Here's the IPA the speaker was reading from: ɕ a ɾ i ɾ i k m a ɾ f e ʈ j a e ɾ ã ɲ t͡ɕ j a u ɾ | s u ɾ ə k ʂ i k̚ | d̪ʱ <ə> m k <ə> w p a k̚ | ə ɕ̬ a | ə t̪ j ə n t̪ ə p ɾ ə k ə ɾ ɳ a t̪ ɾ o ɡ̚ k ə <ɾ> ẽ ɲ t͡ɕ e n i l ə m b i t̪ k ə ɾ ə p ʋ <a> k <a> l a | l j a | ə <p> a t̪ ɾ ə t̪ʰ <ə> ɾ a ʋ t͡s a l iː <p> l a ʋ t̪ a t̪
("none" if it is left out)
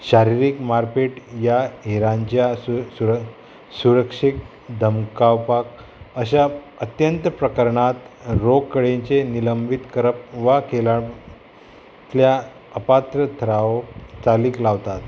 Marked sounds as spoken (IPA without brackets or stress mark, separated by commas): ə, a, ɽ, a, e, p, ə, k